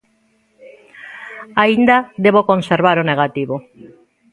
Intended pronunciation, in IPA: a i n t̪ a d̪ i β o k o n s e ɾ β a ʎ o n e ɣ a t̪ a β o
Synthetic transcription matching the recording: a i n d̪ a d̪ e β o k o n s e ɾ β a ɾ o n e ɣ a t̪ i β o